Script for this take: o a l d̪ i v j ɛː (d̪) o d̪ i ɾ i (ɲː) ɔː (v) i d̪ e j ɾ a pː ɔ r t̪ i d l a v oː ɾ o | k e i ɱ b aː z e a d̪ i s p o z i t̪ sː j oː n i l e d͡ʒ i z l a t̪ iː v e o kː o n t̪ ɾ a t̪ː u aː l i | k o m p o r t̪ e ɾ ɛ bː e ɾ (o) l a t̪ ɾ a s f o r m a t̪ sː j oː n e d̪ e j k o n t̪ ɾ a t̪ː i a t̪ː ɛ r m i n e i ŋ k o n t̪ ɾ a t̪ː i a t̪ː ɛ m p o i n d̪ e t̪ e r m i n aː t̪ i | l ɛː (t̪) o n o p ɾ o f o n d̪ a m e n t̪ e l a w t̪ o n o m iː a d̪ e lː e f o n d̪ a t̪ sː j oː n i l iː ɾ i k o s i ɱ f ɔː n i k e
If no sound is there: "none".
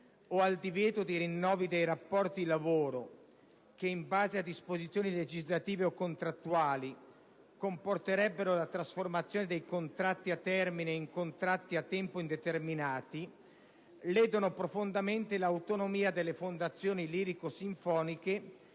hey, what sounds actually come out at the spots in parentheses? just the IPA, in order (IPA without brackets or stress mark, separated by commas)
t̪, nː, v, o, d̪